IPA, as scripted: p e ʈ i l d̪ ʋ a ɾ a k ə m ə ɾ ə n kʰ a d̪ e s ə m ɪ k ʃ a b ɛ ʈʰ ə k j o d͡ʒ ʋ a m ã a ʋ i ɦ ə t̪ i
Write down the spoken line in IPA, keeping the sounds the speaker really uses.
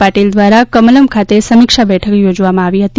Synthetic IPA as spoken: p a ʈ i l d̪ ʋ a ɾ a k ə m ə l ə m kʰ a t̪ e s ə m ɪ k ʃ a b ɛ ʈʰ ə k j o d͡ʒ ʋ a m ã a ʋ i ɦ ə t̪ i